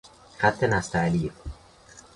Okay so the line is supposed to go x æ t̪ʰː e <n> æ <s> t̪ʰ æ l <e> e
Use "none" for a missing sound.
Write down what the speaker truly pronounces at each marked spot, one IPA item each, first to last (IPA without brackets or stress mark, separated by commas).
n, s, i